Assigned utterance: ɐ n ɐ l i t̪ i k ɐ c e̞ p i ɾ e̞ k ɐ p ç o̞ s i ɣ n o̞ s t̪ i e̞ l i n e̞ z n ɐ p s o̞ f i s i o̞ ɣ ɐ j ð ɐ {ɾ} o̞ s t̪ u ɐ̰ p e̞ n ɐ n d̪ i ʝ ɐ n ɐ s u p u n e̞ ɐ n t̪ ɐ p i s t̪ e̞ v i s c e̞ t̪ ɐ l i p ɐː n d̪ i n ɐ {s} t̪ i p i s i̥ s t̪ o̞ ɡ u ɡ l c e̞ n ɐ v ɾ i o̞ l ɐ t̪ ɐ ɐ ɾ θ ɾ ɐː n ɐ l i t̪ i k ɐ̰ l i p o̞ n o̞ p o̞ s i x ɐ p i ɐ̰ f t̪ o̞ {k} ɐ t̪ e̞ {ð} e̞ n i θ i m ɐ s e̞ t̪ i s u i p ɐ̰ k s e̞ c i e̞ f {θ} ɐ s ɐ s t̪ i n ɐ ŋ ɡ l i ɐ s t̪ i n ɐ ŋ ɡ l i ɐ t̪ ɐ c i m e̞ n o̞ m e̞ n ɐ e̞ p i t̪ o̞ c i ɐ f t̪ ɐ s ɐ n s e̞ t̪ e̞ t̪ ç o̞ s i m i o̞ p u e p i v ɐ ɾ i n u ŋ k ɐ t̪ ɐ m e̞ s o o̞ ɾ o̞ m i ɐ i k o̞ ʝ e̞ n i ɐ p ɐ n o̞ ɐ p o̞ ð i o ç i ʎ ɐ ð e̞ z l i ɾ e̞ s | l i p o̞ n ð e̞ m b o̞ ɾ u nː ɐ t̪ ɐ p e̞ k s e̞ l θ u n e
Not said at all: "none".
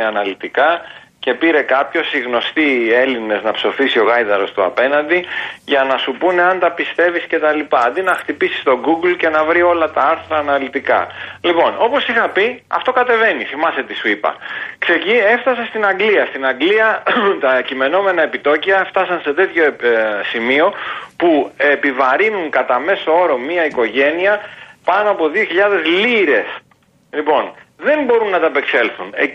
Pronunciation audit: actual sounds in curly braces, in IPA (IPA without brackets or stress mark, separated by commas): ɾ, x, k, v, θ